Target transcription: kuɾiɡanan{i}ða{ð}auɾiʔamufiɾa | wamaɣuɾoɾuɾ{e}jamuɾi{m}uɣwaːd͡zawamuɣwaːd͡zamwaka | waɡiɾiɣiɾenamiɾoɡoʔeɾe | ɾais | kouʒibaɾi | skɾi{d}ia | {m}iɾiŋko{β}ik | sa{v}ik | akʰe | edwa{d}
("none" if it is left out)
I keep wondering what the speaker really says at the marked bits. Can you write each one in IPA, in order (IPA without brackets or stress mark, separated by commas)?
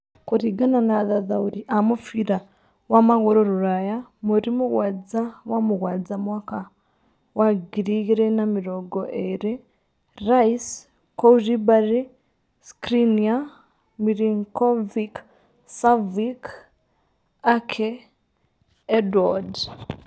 a, ð, a, m, n, m, v, v, d